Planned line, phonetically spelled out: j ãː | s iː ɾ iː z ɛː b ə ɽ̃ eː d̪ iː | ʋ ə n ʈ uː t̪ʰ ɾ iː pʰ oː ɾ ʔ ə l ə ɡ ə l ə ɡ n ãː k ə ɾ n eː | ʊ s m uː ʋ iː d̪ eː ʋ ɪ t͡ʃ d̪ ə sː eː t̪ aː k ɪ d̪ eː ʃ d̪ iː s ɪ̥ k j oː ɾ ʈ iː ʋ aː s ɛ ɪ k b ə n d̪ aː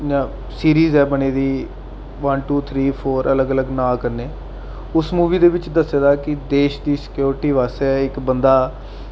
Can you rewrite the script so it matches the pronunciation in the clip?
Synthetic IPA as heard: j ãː | s iː ɾ iː z ɛː b ə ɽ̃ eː d̪ iː | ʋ ə n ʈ uː t̪ʰ ɾ iː pʰ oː ɾ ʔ ə l ə ɡ ə l ə ɡ n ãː k ə ɾ n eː | ʊ s m uː ʋ iː d̪ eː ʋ ɪ t͡ʃ d̪ ə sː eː d̪ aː k ɪ d̪ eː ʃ d̪ iː s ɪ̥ k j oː ɾ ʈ iː ʋ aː s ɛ ɪ k b ə n d̪ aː